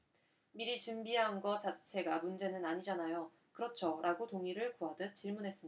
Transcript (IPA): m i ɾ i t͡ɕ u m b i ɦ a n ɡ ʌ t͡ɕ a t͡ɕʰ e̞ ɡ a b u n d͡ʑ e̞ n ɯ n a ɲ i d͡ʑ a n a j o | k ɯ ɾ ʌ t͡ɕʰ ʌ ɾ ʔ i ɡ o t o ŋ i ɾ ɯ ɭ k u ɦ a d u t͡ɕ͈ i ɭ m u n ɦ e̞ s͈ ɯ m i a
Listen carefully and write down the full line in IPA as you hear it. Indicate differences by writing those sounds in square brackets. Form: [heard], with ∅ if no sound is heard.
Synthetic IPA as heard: m i ɾ i t͡ɕ u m b i ɦ a n ɡ ʌ t͡ɕ a t͡ɕʰ e̞ ɡ a [m] u n d͡ʑ e̞ n ɯ n a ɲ i d͡ʑ a n a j o | k ɯ ɾ ʌ t͡ɕʰ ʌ ɾ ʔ [a] ɡ o t o ŋ i ɾ ɯ ɭ k u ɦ a d [ɯ] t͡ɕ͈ i ɭ m u n ɦ e̞ s͈ ɯ m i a